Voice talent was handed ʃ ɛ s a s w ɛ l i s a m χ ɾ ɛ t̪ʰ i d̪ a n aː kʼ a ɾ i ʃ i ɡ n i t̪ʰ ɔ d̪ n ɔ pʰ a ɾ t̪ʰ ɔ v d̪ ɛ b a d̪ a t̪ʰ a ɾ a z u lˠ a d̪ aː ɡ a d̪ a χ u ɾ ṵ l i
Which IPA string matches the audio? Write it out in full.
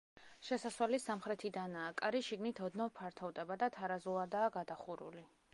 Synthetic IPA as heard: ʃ ɛ s a s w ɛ l i s a m χ ɾ ɛ t̪ʰ i d̪ a n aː kʼ a ɾ i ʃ i ɡ n i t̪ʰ ɔ d̪ n ɔ pʰ a ɾ t̪ʰ ɔ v d̪ ɛ b a d̪ a t̪ʰ a ɾ a z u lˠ a d̪ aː ɡ a d̪ a χ u ɾ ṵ l i

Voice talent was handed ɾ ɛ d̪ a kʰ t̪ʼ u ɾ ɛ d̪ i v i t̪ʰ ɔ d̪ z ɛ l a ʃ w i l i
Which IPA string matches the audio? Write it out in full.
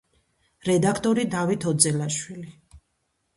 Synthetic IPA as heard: ɾ ɛ d̪ a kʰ t̪ʼ ɔ ɾ i d̪ a v i t̪ʰ ɔ d̪ z ɛ l a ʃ w i l i

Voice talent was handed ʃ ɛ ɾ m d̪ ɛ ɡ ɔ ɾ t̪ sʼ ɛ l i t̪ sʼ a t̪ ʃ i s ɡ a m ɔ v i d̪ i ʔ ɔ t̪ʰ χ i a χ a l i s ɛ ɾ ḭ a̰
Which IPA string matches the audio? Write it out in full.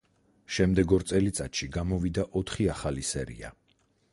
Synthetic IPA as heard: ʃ ɛ m d̪ ɛ ɡ ɔ ɾ t̪ sʼ ɛ l i t̪ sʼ a t̪ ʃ i ɡ a m ɔ v i d̪ a ʔ ɔ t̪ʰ χ i a χ a l i s ɛ ɾ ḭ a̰

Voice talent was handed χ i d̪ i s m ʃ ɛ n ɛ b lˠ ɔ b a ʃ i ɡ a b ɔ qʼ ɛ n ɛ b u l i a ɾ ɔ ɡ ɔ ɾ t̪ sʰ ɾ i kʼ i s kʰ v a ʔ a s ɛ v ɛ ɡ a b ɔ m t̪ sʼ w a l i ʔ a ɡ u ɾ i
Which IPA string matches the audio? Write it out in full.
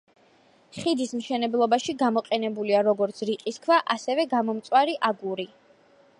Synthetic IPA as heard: χ i d̪ i s m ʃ ɛ n ɛ b lˠ ɔ b a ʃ i ɡ a m ɔ qʼ ɛ n ɛ b u l i a ɾ ɔ ɡ ɔ ɾ t̪ sʰ ɾ i qʼ i s kʰ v a ʔ a s ɛ v ɛ ɡ a m ɔ m t̪ sʼ w a ɾ i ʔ a ɡ u ɾ i

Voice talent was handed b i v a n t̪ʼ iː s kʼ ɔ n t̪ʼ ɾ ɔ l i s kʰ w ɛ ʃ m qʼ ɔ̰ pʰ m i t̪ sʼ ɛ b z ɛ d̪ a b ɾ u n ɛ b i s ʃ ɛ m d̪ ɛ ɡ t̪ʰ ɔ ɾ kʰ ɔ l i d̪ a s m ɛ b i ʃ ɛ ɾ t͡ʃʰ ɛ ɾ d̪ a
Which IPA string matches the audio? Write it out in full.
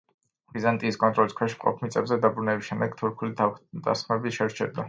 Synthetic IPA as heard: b i z a n t̪ʼ iː s kʼ ɔ n t̪ʼ ɾ ɔ l i s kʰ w ɛ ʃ m qʼ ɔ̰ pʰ m i t̪ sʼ ɛ b z ɛ d̪ a b ɾ u n ɛ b i s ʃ ɛ m d̪ ɛ ɡ t̪ʰ u ɾ kʰ u l i d̪ a s m ɛ b i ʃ ɛ ɾ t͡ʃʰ ɛ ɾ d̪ a

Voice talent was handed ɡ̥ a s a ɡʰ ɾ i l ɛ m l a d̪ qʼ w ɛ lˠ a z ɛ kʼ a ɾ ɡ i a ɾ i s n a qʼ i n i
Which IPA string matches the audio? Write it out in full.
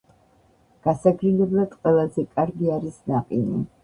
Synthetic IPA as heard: ɡ̥ a s a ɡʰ ɾ i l ɛ b l a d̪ qʼ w ɛ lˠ a z ɛ kʼ a ɾ ɡ i a ɾ i s n a qʼ i n i

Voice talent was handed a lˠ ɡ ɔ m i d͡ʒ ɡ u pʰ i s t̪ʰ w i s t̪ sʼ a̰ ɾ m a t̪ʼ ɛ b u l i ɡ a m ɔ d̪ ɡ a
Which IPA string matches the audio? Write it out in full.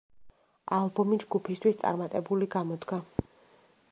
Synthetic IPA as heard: a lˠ b ɔ m i d͡ʒ ɡ u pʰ i s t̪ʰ w i s t̪ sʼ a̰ ɾ m a t̪ʼ ɛ b u l i ɡ a m ɔ d̪ ɡ a

